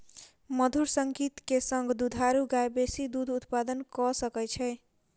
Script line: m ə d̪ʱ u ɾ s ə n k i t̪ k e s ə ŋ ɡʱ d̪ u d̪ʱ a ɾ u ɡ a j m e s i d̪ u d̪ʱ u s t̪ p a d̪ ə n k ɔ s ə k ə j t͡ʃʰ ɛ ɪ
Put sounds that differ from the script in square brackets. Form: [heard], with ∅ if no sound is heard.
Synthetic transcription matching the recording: m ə d̪ʱ u ɾ s ə [ŋ] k i t̪ k e s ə ŋ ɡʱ d̪ u d̪ʱ a ɾ u ɡ a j [b] e s i d̪ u d̪ʱ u [∅] t̪ p a d̪ ə n k ɔ s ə k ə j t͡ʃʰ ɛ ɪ